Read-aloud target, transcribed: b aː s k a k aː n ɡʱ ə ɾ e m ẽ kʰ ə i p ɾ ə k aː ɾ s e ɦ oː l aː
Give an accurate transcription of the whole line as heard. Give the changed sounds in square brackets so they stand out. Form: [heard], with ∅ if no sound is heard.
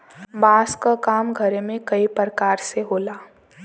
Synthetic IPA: b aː s k a k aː [m] ɡʱ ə ɾ e m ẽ [k] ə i p ɾ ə k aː ɾ s e ɦ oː l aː